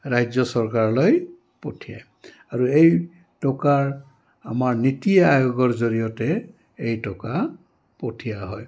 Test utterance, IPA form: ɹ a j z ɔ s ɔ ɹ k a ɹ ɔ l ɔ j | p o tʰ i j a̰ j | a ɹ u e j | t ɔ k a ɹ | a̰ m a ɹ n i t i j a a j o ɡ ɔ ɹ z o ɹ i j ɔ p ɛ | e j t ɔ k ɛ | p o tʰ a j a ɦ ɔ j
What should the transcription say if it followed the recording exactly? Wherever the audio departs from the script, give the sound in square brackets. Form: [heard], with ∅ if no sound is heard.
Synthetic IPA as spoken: ɹ a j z ɔ s ɔ ɹ k a ɹ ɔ l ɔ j | p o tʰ i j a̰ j | a ɹ u e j | t ɔ k a ɹ | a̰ m a ɹ n i t i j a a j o ɡ ɔ ɹ z o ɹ i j ɔ [t] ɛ | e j t ɔ k [a] | p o tʰ [i] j a ɦ ɔ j

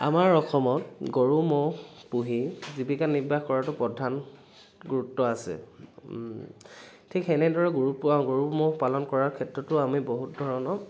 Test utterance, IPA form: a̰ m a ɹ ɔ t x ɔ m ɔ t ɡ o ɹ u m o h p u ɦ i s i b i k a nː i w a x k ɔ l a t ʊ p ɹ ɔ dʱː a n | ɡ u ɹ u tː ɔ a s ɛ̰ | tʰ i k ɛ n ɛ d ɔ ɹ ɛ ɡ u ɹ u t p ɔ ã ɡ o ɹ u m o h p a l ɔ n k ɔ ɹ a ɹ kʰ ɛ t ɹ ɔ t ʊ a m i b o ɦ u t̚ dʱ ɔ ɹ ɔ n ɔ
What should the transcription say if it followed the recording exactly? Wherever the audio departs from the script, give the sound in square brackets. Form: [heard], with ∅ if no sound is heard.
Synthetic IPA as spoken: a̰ m a ɹ ɔ [∅] x ɔ m ɔ t ɡ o ɹ u m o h p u ɦ i [z] i b i k a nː i [b] a x k ɔ [ɹ] a t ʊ p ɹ ɔ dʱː a n | ɡ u ɹ u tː ɔ a s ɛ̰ | tʰ i k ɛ n ɛ d ɔ ɹ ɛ ɡ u ɹ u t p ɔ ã ɡ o ɹ u m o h p a l ɔ n k ɔ ɹ a ɹ kʰ ɛ t ɹ ɔ t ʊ a m i b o ɦ u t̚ dʱ ɔ ɹ ɔ n ɔ

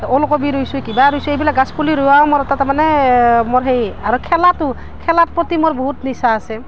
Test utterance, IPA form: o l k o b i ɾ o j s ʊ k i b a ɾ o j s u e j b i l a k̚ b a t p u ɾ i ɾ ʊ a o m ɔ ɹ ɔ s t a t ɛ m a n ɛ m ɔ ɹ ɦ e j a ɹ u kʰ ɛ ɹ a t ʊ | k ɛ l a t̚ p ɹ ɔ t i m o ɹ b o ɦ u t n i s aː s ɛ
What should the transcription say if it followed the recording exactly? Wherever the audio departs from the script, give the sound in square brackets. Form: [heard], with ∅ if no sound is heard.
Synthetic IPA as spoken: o l k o b i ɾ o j s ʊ k i b a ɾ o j s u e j b i l a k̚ [ɡ] a [s] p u [l] i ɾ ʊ a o m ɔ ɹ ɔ [∅] t a t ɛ m a n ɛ m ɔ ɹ ɦ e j a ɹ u kʰ ɛ [l] a t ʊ | [kʰ] ɛ l a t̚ p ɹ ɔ t i m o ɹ b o ɦ u t n i s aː s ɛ

